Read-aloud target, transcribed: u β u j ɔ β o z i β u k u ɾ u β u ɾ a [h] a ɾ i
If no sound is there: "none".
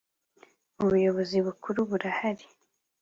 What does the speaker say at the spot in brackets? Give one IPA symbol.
h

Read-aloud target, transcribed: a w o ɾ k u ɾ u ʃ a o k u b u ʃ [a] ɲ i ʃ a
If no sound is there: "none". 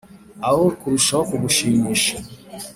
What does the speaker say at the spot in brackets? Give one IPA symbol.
i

